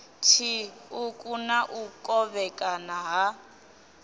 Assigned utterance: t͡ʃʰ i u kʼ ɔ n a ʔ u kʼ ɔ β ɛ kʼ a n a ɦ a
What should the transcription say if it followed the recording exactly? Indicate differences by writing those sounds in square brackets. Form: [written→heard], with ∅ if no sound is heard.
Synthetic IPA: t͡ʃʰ i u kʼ [ɔ→u] n a ʔ u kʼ ɔ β ɛ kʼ a n a ɦ a